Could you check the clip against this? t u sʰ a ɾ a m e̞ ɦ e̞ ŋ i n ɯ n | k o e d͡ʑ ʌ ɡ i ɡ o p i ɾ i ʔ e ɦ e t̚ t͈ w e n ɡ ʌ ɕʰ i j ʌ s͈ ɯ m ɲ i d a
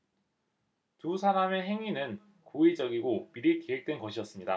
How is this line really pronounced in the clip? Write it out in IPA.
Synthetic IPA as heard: t u sʰ a ɾ a m e̞ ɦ e̞ ŋ i n ɯ n | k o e d͡ʑ ʌ ɡ i ɡ o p i ɾ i k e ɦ e k̚ t͈ w e n ɡ ʌ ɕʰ i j ʌ s͈ ɯ m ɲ i d a

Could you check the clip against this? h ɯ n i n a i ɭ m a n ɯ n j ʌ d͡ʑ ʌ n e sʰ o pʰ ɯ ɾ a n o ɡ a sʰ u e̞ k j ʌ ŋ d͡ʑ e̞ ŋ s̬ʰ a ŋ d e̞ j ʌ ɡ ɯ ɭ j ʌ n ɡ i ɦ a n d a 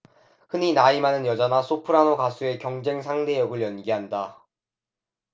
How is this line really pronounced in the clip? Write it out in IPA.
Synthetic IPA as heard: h ɯ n i n a i m a n ɯ n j ʌ d͡ʑ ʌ n a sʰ o pʰ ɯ ɾ a n o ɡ a sʰ u e̞ k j ʌ ŋ d͡ʑ e̞ ŋ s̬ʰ a ŋ d e̞ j ʌ ɡ ɯ ɭ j ʌ n ɡ i ɦ a n d a

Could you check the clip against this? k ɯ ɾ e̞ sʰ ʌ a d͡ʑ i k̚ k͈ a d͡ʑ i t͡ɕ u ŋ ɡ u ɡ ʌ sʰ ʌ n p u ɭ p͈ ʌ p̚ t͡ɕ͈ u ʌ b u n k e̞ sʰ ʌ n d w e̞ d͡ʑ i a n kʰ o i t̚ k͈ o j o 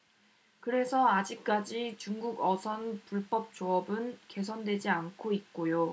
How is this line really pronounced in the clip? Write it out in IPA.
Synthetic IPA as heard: k ɯ ɾ e̞ sʰ ʌ a d͡ʑ i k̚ k͈ a d͡ʑ i t͡ɕ u ŋ ɡ u ɡ ʌ sʰ ʌ n p u ɭ p͈ ʌ p̚ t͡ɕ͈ o ʌ b ɯ n k e̞ sʰ ʌ n d w e̞ d͡ʑ i a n kʰ o i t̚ k͈ o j o

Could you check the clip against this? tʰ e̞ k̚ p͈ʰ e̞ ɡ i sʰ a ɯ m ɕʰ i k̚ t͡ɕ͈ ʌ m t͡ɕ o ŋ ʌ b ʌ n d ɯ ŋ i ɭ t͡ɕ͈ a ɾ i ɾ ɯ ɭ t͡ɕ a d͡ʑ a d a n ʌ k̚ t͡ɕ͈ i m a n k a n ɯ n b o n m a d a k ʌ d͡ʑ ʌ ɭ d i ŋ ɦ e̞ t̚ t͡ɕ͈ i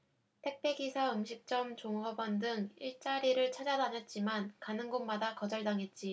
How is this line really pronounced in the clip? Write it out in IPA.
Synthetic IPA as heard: tʰ e̞ k̚ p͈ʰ e̞ ɡ i sʰ a ɯ m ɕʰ i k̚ t͡ɕ͈ ʌ m t͡ɕ o ŋ ʌ b ʌ n d ɯ ŋ i ɭ t͡ɕ͈ a ɾ i ɾ ɯ ɭ t͡ɕʰ a d͡ʑ a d a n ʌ t̚ t͡ɕ͈ i m a n k a n ɯ n ɡ o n m a d a k ʌ d͡ʑ ʌ ɭ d a ŋ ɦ e̞ t̚ t͡ɕ͈ i

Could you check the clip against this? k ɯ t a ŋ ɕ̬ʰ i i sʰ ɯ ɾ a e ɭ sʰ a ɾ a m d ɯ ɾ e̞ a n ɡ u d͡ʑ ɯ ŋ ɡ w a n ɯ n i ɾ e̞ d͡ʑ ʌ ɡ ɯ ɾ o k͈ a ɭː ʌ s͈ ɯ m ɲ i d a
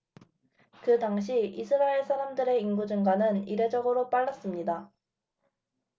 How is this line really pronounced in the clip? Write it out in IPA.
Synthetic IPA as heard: k ɯ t a ŋ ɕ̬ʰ i i sʰ ɯ ɾ a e ɭ sʰ a ɾ a m d ɯ ɾ e̞ i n ɡ u d͡ʑ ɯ ŋ ɡ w a n ɯ n i ɾ e̞ d͡ʑ ʌ ɡ ɯ ɾ o p͈ a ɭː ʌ s͈ ɯ m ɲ i d a

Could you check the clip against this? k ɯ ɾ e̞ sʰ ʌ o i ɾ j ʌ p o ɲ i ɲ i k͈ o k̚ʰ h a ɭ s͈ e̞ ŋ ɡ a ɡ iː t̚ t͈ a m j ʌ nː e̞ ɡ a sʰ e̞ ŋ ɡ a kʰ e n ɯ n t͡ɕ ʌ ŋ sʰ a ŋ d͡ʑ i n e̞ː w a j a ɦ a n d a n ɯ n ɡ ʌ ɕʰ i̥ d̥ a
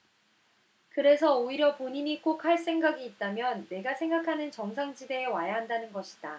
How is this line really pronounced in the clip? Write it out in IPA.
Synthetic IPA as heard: k ɯ ɾ e̞ sʰ ʌ o i ɾ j ʌ p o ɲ i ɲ i k͈ o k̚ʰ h a ɭ s͈ e̞ ŋ ɡ a ɡ iː t̚ t͈ a m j ʌ nː e̞ ɡ a sʰ e̞ ŋ ɡ a kʰ a n ɯ n t͡ɕ ʌ ŋ sʰ a ŋ d͡ʑ i d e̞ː w a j a ɦ a n d a n ɯ n ɡ ʌ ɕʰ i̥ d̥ a

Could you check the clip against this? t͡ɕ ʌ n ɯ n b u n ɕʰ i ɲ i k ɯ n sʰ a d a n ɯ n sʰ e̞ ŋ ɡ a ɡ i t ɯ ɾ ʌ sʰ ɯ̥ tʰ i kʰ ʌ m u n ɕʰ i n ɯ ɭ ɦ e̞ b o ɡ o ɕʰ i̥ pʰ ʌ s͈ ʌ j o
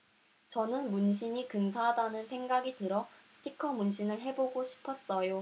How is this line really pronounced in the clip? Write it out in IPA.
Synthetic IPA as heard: t͡ɕ ʌ n ɯ n m u n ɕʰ i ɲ i k ɯ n sʰ a d a n ɯ n sʰ e̞ ŋ ɡ a ɡ i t ɯ ɾ ʌ sʰ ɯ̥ tʰ i kʰ ʌ m u n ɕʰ i n ɯ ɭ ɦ e̞ b o ɡ o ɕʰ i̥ pʰ ʌ s͈ ʌ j o

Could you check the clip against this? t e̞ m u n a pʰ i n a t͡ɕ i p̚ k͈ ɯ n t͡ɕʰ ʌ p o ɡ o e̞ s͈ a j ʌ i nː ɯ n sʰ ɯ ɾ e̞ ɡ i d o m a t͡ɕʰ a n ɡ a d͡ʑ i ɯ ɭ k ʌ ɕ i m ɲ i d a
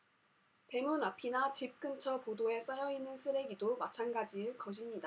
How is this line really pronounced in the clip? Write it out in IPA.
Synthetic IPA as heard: t e̞ m u n a pʰ i n a t͡ɕ i p̚ k͈ ɯ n t͡ɕʰ ʌ p o d o e̞ s͈ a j ʌ i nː ɯ n sʰ ɯ ɾ e̞ ɡ i d o m a t͡ɕʰ a n ɡ a d͡ʑ i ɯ ɭ k ʌ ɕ i m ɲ i d a

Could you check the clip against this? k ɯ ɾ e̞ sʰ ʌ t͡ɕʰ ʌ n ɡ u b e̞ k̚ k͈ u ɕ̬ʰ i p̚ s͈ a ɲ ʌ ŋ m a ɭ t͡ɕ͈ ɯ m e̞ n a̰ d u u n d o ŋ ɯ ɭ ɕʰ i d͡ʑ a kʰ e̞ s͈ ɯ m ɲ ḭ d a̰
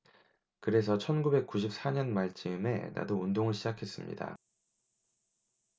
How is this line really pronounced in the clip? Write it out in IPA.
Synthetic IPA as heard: k ɯ ɾ e̞ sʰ ʌ t͡ɕʰ ʌ n ɡ u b e̞ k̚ k͈ u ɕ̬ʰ i p̚ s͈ a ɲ ʌ n m a ɭ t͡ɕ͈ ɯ m e̞ n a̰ d o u n d o ŋ ɯ ɭ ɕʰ i d͡ʑ a kʰ e̞ s͈ ɯ m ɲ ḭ d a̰

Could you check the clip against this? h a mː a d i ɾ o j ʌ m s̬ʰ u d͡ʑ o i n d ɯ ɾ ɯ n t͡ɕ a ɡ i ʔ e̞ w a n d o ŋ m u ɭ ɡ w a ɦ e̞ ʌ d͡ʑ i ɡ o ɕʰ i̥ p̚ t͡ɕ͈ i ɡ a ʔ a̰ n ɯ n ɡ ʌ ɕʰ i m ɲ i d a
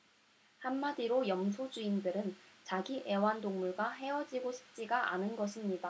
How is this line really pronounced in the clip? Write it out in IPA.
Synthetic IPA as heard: h a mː a d i ɾ o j ʌ m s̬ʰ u d͡ʑ u i n d ɯ ɾ ɯ n t͡ɕ a ɡ i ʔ e̞ w a n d o ŋ m u ɭ ɡ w a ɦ e̞ ʌ d͡ʑ i ɡ o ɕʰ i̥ p̚ t͡ɕ͈ i ɡ a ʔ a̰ n ɯ n ɡ ʌ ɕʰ i m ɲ i d a

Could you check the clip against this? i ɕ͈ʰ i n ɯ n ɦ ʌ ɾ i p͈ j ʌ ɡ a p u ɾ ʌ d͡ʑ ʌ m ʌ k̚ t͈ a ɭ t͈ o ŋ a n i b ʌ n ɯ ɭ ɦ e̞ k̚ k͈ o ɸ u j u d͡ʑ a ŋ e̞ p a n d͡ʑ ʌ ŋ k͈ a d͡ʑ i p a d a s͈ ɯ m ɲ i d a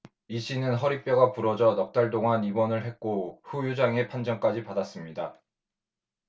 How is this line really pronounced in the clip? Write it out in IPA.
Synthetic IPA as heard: i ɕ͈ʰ i n ɯ n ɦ ʌ ɾ i p͈ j ʌ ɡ a p u ɾ ʌ d͡ʑ ʌ n ʌ k̚ t͈ a ɭ t͈ o ŋ a n i b ʌ n ɯ ɭ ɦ e̞ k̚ k͈ o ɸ u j u d͡ʑ a ŋ e̞ pʰ a n d͡ʑ ʌ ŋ k͈ a d͡ʑ i p a d a s͈ ɯ m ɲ i d a

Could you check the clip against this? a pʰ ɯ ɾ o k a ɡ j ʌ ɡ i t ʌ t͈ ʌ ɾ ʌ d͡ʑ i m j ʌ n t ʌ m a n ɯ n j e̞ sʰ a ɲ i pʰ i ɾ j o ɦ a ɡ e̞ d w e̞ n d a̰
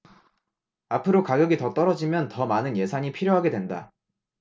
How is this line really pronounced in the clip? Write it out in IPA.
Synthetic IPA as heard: a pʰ ɯ ɾ o k a ɡ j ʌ ɡ i t ʌ t͈ ʌ ɾ ʌ d͡ʑ i m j ʌ n t ʌ m a n ɯ n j e̞ sʰ a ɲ i pʰ i ɾ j o ɦ a ɡ e̞ d w e̞ n d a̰

